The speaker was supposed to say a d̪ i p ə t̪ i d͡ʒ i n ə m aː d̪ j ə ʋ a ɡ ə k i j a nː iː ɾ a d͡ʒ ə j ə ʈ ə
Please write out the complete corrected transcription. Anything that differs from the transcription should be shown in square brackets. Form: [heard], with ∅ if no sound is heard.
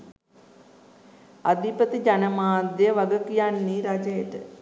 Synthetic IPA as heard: a d̪ i p ə t̪ i d͡ʒ [a] n ə m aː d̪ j ə ʋ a ɡ ə k i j a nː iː ɾ a d͡ʒ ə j ə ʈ ə